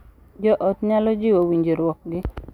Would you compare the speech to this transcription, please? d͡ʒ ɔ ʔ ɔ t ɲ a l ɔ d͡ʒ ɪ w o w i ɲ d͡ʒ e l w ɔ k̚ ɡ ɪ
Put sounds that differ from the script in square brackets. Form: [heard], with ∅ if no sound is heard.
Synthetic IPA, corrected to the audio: d͡ʒ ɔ ʔ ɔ t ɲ a l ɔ d͡ʒ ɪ w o w i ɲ d͡ʒ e [ɾ] w ɔ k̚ ɡ ɪ